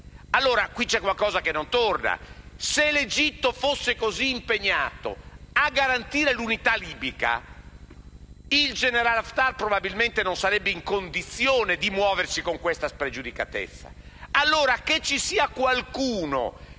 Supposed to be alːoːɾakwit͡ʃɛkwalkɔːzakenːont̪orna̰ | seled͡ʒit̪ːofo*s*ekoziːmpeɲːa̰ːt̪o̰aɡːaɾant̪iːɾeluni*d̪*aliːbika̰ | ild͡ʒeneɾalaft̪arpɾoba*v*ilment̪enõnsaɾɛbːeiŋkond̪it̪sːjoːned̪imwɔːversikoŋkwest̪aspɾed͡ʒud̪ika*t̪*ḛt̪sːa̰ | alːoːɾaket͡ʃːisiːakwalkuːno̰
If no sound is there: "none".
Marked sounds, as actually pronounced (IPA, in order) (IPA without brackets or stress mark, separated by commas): sː, t̪, b, t̪